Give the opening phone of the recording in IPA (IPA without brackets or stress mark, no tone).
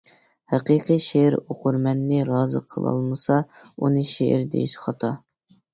h